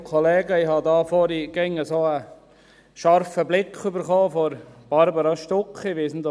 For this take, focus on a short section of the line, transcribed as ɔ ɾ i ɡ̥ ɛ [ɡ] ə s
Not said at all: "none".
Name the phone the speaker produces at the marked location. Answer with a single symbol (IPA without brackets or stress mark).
ŋ